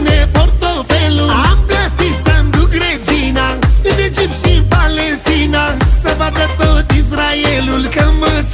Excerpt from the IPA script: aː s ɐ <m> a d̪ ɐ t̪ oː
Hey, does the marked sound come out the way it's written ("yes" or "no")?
no